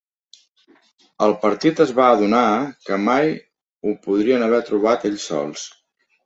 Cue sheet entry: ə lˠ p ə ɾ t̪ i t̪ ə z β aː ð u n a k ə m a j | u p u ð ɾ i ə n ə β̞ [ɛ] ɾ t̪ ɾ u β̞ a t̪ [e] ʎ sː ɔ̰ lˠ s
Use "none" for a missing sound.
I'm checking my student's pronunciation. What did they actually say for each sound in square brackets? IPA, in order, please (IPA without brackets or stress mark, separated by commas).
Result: ɛ, e